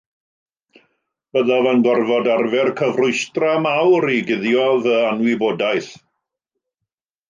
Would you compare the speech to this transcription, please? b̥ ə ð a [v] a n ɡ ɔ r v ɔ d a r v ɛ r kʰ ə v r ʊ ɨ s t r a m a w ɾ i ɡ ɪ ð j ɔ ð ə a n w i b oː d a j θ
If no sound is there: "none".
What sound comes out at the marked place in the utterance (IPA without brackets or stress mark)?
v